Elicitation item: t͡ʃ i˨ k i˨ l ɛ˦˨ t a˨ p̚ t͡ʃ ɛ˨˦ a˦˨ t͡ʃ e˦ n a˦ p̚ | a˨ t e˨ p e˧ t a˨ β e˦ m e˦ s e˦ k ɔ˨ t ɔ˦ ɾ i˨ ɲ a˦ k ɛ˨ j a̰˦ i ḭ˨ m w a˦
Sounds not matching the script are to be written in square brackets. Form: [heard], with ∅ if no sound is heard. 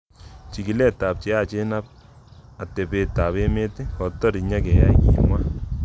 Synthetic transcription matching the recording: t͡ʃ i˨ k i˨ l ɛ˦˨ t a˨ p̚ t͡ʃ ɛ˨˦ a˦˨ t͡ʃ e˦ n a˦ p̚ | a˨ t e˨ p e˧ t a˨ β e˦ m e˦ [t] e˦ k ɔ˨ t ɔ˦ ɾ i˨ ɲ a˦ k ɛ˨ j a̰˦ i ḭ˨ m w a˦